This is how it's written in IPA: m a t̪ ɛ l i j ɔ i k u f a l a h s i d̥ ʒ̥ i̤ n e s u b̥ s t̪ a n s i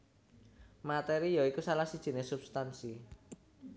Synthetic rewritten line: m a t̪ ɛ ɾ i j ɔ i k u s a l a h s i d̥ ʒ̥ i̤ n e s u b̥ s t̪ a n s i